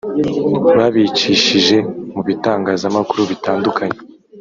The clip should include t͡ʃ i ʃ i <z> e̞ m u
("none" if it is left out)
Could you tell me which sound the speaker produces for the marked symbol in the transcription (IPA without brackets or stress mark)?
ʒ